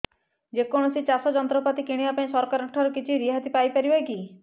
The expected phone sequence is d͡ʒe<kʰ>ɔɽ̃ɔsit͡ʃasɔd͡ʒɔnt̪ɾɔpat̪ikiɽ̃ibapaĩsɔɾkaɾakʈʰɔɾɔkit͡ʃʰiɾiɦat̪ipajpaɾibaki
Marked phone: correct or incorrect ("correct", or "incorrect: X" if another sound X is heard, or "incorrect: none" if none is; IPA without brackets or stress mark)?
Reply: incorrect: k